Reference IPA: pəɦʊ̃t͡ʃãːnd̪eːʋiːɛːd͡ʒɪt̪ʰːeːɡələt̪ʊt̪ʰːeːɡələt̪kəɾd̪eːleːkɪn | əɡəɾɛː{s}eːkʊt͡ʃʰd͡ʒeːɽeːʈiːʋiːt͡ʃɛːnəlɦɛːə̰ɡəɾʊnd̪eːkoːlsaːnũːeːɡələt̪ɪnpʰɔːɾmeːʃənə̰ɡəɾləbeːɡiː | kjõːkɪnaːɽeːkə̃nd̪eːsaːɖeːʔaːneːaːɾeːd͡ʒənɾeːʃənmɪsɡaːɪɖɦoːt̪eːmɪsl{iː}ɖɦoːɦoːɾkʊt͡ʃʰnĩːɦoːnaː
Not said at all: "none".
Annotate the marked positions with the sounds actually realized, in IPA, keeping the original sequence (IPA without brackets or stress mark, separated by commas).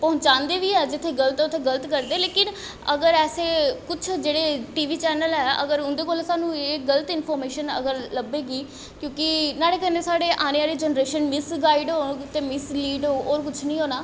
s, iː